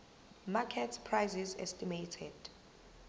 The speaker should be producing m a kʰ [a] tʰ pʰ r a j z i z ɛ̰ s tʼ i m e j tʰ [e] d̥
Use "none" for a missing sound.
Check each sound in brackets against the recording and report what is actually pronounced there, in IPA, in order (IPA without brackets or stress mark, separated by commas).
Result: ɛ, ɛ